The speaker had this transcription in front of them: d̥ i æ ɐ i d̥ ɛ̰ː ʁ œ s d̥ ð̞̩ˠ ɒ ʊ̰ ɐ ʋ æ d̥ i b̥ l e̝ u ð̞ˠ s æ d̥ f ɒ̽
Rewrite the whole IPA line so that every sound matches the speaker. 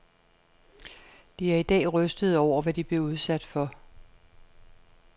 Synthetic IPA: d̥ i æ ɐ i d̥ ɛ̰ː ʁ œ s d̥ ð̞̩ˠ ɒ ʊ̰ ɐ ʋ æ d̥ i b̥ l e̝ u ð̞ˠ s æ d̥ f ɒ̽